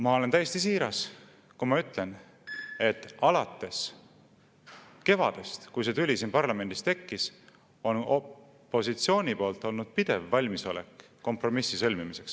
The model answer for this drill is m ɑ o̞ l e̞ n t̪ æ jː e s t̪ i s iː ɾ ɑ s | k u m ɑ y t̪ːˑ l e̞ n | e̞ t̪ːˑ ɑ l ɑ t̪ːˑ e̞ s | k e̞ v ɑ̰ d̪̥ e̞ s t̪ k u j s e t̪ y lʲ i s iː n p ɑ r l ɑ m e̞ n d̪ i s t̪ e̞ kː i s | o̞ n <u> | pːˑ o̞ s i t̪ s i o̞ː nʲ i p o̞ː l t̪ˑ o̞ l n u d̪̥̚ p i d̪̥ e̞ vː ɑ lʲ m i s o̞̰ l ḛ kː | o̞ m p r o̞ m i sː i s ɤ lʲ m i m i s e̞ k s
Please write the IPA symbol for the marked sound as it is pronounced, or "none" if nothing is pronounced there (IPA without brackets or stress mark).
o